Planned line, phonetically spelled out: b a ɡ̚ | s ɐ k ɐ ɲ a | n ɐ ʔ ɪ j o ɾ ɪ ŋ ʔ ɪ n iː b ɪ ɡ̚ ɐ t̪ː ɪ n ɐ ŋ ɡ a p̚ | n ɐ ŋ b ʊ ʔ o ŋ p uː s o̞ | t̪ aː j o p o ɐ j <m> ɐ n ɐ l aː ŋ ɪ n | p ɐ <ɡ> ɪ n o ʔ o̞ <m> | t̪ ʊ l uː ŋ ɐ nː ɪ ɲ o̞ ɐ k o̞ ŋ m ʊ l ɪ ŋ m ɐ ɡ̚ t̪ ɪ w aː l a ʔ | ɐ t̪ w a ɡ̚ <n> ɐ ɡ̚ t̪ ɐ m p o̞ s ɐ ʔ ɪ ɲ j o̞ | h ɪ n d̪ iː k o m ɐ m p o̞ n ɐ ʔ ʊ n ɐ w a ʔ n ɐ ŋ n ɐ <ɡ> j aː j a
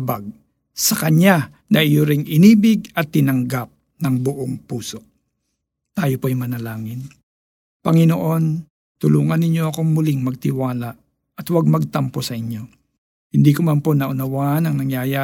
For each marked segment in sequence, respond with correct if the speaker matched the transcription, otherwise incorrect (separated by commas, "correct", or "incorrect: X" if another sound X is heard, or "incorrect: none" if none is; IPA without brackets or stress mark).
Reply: correct, incorrect: ŋ, incorrect: n, incorrect: m, incorrect: ŋ